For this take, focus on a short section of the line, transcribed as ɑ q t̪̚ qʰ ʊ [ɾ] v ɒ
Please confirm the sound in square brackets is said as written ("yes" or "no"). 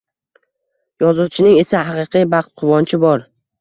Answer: no